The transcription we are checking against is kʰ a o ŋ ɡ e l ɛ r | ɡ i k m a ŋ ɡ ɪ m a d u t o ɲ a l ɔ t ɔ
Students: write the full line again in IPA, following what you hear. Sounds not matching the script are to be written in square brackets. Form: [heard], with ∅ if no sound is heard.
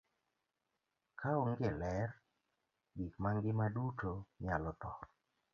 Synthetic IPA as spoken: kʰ a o ŋ ɡ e l ɛ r | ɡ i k m a ŋ ɡ ɪ m a d u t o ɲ a l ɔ t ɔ